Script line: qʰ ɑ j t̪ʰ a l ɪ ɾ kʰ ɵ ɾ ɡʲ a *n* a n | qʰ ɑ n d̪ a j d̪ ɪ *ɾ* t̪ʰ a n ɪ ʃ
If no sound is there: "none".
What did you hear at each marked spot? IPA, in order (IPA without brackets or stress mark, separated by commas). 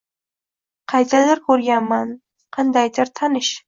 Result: m, ɾ